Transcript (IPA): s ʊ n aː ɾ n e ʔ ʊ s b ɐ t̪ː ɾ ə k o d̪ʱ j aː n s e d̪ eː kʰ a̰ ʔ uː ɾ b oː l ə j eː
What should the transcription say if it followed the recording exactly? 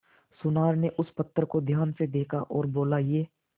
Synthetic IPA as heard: s ʊ n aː ɾ n e ʔ ʊ s p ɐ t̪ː ɾ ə k o d̪ʱ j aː n s e d̪ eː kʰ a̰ ʔ ɔː ɾ b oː l a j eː